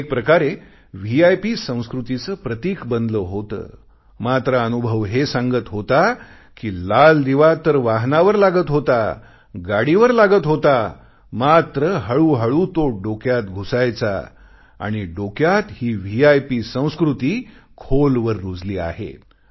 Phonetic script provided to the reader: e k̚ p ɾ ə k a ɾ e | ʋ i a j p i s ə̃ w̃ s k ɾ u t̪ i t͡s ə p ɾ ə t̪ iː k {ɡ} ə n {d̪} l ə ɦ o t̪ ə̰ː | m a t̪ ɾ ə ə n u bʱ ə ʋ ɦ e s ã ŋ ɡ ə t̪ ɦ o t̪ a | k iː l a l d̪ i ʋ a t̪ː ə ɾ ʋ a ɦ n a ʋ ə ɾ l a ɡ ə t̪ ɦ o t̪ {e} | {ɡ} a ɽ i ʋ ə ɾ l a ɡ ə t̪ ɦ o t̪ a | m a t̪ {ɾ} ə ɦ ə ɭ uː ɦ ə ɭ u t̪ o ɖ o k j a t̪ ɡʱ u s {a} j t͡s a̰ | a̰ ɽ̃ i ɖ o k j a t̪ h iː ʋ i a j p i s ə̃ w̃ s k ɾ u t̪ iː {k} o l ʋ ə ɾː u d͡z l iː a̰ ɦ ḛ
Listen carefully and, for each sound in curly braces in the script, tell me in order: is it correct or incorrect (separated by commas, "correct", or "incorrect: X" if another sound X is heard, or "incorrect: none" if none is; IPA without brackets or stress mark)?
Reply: incorrect: b, correct, incorrect: a, correct, correct, correct, incorrect: kʰ